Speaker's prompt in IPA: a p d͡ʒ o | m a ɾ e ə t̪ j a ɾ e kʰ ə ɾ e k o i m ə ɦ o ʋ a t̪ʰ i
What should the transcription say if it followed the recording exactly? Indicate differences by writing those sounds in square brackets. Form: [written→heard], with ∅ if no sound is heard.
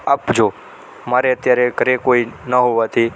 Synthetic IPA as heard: a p d͡ʒ o | m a ɾ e ə t̪ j a ɾ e [kʰ→k] ə ɾ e k o i [m→n] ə ɦ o ʋ a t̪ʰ i